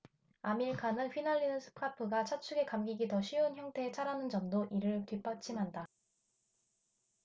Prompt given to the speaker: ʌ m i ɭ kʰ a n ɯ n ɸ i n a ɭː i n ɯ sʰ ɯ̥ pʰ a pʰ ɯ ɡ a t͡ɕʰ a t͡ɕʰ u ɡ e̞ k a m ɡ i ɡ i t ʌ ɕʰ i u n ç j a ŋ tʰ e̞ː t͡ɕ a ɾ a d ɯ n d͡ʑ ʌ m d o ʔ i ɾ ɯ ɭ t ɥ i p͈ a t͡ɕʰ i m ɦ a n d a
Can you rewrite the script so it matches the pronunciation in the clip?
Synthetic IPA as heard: a m i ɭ kʰ a n ɯ n ɸ i n a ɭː i n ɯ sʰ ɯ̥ pʰ a pʰ ɯ ɡ a t͡ɕʰ a t͡ɕʰ u ɡ e̞ k a m ɡ i ɡ i t ʌ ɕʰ i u n ç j ʌ ŋ tʰ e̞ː t͡ɕʰ a ɾ a n ɯ n d͡ʑ ʌ m d o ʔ i ɾ ɯ ɭ t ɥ i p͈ a t͡ɕʰ i m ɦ a n d a